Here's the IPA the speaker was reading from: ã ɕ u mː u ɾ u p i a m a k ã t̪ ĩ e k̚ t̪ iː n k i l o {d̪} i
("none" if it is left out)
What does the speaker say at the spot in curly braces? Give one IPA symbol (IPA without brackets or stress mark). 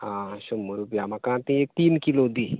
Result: d̪